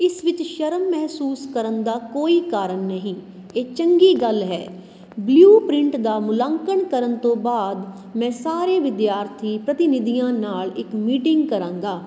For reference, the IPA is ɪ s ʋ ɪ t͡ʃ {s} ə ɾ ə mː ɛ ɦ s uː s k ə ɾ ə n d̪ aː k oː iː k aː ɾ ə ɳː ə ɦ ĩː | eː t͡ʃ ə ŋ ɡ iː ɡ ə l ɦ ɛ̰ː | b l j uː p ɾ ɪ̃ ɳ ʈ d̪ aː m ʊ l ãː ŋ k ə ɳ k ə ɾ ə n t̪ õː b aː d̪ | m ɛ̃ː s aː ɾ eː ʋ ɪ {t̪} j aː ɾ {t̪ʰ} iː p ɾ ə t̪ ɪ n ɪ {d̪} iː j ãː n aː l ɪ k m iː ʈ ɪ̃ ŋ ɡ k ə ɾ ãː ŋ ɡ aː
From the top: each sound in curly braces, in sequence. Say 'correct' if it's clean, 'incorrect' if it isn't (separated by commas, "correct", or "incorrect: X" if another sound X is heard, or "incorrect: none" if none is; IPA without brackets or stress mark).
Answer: incorrect: ʃ, incorrect: d̪, correct, correct